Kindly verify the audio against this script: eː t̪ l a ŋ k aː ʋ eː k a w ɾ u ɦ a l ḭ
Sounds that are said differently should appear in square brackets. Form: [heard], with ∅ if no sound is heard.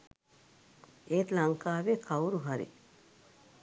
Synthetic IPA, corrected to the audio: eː t̪ l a ŋ k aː ʋ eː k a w ɾ u ɦ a [ɾ] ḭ